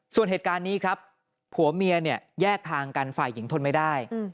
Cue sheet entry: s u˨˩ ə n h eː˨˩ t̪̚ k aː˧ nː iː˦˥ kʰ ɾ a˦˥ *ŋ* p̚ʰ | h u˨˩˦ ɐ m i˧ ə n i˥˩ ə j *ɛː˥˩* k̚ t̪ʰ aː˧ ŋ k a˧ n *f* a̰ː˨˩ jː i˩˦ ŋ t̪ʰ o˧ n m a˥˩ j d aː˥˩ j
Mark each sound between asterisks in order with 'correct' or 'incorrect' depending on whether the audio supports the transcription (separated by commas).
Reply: incorrect, correct, correct